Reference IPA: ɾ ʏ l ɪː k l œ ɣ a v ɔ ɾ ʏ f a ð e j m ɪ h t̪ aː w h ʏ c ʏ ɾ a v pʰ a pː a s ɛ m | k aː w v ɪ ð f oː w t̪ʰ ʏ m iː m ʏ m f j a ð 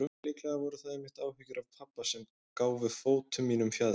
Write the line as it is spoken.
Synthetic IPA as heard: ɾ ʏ l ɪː k l ɛ ɣ a v ɔ ɾ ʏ θ a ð e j m ɪ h t̪ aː w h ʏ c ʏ ɾ a v pʰ a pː a s ɛ m | k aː w v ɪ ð f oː w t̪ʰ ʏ m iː n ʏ m f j a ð